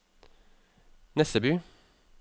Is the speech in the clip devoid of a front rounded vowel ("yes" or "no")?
yes